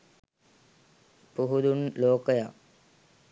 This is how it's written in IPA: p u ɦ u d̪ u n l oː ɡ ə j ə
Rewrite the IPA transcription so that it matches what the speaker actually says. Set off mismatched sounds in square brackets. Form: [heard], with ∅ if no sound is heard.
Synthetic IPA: p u ɦ u d̪ u n l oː [k] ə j [a]